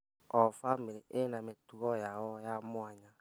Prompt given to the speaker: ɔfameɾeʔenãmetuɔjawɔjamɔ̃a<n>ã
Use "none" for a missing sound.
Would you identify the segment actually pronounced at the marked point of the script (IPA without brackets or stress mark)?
ɲ